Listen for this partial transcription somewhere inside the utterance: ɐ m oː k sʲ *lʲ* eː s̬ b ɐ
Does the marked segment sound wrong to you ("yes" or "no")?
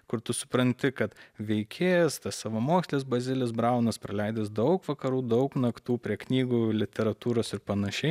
no